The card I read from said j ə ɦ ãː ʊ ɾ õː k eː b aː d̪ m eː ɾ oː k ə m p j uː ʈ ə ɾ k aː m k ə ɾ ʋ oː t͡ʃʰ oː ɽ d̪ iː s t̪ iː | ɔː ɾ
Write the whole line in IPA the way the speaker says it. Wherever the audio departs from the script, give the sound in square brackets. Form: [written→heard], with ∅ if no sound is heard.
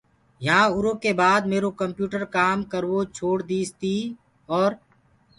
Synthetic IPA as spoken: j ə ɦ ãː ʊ ɾ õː k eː b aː d̪ m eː ɾ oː k ə m p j uː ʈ ə ɾ k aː m k ə ɾ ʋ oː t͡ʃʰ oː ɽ d̪ iː s t̪ iː | ɔː ɾ

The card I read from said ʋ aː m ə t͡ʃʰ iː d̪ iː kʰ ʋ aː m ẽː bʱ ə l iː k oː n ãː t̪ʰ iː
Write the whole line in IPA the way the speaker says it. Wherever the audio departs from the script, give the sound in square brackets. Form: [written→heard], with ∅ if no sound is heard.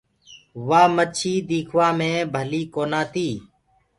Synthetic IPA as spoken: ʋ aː m ə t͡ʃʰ iː d̪ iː kʰ ʋ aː m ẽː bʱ ə l iː k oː n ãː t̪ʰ iː

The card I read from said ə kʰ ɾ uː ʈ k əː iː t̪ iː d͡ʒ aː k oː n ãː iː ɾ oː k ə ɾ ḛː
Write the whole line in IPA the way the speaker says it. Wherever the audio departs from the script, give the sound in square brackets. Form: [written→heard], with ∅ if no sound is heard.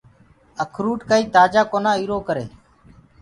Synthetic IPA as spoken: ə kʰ ɾ uː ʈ k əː iː t̪ [iː→aː] d͡ʒ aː k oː n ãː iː ɾ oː k ə ɾ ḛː

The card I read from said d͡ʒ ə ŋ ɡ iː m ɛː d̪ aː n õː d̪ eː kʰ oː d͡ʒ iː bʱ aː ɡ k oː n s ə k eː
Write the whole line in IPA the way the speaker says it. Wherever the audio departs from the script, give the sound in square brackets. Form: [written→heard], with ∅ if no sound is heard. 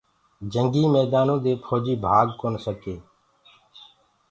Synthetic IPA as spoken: d͡ʒ ə ŋ ɡ iː m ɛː d̪ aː n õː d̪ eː [kʰ→pʰ] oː d͡ʒ iː bʱ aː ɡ k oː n s ə k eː

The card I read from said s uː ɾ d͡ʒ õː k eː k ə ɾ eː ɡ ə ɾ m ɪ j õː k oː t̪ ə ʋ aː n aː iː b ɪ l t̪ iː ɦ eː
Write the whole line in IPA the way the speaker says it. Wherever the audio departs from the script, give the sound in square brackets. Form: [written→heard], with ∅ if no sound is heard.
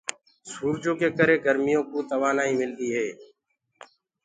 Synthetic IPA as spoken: s uː ɾ d͡ʒ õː k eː k ə ɾ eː ɡ ə ɾ m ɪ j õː k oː t̪ ə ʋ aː n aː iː [b→m] ɪ l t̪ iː ɦ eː

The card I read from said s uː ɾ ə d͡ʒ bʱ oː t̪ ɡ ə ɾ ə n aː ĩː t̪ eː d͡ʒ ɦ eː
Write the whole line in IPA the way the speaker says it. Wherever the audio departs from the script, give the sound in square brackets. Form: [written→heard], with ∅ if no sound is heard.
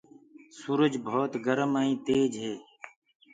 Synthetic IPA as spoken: s uː ɾ ə d͡ʒ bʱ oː t̪ ɡ ə ɾ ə [n→m] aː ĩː t̪ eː d͡ʒ ɦ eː

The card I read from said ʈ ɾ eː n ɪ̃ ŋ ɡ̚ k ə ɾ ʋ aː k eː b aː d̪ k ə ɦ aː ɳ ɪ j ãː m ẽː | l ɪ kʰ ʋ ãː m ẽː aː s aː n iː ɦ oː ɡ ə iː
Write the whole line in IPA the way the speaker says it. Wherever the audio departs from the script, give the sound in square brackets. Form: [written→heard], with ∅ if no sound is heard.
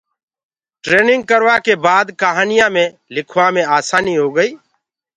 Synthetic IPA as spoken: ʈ ɾ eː n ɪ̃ ŋ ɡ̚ k ə ɾ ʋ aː k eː b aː d̪ k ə ɦ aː [ɳ→n] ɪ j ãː m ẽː | l ɪ kʰ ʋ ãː m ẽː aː s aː n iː ɦ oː ɡ ə iː

